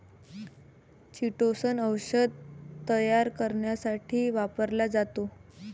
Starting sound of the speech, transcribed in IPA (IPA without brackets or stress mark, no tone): t͡ɕ